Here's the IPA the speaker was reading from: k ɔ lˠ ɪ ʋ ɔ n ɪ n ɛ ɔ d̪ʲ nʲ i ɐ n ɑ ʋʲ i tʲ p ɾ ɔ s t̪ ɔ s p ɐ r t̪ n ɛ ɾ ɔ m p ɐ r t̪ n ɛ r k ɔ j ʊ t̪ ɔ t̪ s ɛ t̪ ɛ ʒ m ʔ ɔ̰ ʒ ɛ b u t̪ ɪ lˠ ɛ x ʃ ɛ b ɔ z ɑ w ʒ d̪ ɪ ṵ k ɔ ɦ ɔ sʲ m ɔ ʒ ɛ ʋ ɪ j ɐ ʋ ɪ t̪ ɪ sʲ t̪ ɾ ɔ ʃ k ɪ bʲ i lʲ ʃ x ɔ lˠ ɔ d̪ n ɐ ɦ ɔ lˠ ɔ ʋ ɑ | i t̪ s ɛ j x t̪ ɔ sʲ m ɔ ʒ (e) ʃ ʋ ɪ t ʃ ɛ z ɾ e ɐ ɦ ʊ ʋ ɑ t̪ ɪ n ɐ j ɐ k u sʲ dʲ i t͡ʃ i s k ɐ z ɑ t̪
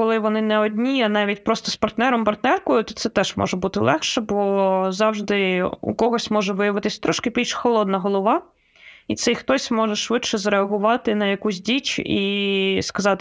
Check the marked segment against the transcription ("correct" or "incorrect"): incorrect